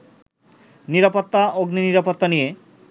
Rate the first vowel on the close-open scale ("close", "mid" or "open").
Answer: close